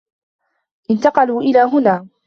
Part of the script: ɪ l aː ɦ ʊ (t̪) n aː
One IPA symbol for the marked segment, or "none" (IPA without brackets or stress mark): none